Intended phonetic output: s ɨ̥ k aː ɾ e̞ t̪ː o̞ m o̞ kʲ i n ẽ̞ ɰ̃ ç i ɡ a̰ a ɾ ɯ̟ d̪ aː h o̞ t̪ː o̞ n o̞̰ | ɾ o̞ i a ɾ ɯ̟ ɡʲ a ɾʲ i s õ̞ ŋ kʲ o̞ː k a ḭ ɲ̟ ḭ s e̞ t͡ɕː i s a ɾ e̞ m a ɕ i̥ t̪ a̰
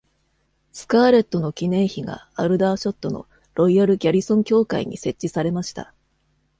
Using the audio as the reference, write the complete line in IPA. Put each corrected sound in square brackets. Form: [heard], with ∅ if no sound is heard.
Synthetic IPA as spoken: s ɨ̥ k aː ɾ e̞ t̪ː o̞ [n] o̞ kʲ i n ẽ̞ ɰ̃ ç i ɡ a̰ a ɾ ɯ̟ d̪ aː [ɕ] o̞ t̪ː o̞ n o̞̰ | ɾ o̞ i a ɾ ɯ̟ ɡʲ a ɾʲ i s õ̞ ŋ kʲ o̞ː k a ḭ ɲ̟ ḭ s e̞ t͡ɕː i s a ɾ e̞ m a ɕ i̥ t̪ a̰